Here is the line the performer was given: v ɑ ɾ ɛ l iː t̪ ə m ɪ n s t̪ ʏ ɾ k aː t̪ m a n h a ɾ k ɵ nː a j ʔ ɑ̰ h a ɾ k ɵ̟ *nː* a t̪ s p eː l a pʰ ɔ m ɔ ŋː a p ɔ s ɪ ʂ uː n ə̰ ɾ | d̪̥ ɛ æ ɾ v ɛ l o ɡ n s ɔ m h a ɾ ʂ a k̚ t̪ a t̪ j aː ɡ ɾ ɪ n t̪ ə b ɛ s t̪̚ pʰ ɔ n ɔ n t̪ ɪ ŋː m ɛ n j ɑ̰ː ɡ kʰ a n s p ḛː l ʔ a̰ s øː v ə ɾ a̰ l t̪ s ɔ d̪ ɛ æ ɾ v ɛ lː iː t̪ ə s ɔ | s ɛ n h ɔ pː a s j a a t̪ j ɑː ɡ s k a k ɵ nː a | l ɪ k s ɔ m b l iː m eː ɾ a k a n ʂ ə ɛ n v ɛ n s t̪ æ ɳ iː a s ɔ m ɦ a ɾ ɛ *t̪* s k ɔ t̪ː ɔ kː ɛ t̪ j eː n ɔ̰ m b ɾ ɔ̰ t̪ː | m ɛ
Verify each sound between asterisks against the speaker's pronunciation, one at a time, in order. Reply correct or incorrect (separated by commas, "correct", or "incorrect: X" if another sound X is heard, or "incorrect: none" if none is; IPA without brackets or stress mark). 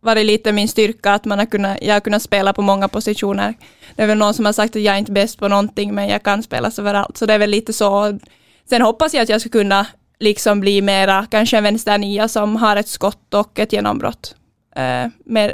correct, correct